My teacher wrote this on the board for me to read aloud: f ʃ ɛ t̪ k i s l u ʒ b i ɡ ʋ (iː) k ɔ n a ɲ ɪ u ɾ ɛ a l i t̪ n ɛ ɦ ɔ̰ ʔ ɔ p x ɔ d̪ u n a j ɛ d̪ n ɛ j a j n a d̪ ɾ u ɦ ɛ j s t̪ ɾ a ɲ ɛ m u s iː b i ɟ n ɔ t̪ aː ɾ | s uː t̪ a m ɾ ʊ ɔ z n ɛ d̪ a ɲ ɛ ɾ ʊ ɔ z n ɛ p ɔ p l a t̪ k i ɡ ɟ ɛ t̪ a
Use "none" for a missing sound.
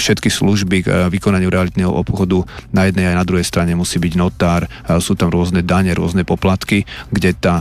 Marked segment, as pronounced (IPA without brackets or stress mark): i